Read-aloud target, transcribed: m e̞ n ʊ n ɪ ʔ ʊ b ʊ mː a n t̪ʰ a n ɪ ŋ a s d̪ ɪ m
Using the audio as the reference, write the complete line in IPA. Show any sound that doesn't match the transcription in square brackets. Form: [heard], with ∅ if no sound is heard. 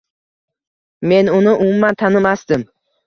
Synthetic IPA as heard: m e̞ n ʊ n ɪ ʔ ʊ [m] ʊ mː a n t̪ʰ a n ɪ [m] a s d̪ ɪ m